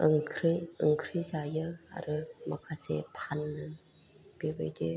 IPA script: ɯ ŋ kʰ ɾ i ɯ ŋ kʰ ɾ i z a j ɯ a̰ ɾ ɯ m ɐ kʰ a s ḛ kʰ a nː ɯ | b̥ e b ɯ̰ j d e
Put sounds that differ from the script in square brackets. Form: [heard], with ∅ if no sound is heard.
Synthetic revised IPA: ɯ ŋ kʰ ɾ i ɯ ŋ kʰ ɾ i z a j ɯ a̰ ɾ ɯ m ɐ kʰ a s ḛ [pʰ] a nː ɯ | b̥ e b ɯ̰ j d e